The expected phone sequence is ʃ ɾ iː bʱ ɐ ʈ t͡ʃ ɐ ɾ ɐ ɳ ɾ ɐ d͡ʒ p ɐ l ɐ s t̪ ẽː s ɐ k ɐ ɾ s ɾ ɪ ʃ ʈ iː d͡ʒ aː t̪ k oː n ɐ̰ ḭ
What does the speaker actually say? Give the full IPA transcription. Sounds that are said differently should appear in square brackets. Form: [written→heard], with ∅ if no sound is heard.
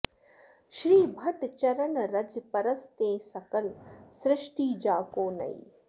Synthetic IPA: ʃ ɾ iː bʱ ɐ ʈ t͡ʃ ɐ ɾ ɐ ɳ ɾ ɐ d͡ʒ p ɐ [l→ɾ] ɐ s t̪ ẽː s ɐ k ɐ [ɾ→l] s ɾ ɪ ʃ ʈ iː d͡ʒ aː [t̪→∅] k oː n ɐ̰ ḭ